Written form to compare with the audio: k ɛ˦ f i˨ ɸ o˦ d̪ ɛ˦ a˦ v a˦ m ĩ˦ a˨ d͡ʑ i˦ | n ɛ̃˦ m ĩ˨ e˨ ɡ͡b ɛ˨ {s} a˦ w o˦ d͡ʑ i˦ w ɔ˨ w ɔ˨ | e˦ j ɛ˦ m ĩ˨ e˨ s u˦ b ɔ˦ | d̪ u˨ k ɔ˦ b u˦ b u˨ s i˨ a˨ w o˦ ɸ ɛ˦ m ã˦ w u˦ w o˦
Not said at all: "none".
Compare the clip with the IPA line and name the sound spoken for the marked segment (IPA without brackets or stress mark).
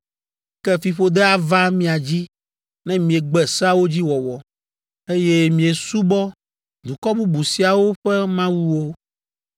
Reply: s